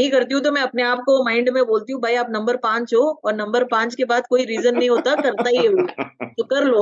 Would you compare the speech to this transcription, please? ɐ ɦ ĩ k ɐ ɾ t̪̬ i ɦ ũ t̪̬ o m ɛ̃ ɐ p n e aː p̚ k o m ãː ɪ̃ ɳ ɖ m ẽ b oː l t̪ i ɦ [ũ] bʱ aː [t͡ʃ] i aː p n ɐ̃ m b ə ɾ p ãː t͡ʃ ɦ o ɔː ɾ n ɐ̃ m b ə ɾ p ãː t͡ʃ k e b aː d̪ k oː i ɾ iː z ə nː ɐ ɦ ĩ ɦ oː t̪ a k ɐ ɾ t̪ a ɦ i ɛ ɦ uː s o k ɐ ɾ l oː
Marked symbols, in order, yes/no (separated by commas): yes, no